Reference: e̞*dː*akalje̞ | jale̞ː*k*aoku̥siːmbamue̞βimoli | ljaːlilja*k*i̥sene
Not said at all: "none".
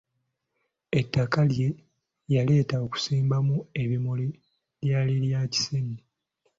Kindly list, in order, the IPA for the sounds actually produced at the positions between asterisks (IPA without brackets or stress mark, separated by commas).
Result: tː, t, c